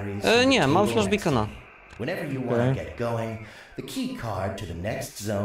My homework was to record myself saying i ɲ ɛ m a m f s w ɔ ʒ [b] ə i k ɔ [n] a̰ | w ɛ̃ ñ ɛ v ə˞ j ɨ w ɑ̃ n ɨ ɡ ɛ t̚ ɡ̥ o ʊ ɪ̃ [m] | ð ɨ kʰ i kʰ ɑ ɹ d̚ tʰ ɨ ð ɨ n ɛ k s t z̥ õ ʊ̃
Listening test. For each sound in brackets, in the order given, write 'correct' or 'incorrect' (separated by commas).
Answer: correct, correct, incorrect